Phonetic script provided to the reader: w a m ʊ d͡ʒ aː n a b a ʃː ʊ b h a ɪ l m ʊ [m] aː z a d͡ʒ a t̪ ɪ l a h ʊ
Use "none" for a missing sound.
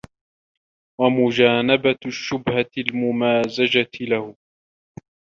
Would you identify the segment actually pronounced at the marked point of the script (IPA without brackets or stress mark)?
m